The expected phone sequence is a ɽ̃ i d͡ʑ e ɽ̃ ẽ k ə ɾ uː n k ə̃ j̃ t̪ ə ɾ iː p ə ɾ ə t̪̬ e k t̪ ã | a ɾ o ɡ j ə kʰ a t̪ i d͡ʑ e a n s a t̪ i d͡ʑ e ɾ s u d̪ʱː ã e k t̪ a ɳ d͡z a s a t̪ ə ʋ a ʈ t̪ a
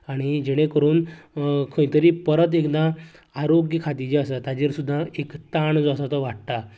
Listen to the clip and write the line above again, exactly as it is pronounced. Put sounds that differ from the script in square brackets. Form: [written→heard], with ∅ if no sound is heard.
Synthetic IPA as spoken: a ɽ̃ i d͡ʑ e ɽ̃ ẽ k ə ɾ uː n [k→kʰ] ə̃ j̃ t̪ ə ɾ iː p ə ɾ ə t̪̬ e k [t̪→d̪] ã | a ɾ o ɡ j ə kʰ a t̪ i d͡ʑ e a [n→∅] s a t̪ [i→a] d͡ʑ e ɾ s u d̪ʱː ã e k t̪ a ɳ d͡z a s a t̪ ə ʋ a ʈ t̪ a